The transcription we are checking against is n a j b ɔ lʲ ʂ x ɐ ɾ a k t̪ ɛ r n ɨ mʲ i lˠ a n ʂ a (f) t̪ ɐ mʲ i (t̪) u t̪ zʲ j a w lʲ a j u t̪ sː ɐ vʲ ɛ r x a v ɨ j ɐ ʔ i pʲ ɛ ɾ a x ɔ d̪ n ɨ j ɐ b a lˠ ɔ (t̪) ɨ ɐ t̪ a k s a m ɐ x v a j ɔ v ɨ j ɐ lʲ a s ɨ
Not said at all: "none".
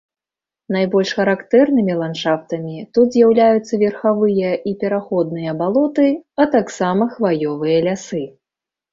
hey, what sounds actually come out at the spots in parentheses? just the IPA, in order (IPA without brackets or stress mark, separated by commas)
f, t̪, t̪